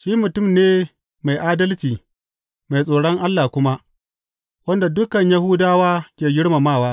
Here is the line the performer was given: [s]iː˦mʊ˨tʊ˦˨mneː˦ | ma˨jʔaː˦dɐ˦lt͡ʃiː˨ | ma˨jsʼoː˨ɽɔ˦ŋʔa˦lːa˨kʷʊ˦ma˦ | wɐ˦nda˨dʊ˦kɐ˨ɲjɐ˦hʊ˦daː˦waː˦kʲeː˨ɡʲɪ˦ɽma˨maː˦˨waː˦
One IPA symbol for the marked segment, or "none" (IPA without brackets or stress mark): ʃ